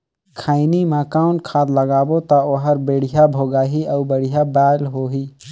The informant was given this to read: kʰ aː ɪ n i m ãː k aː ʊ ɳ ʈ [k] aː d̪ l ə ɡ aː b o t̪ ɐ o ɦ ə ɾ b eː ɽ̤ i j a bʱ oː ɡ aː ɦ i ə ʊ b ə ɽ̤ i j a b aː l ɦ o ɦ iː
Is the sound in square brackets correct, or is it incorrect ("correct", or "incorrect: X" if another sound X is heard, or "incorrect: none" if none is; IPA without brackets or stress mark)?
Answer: incorrect: kʰ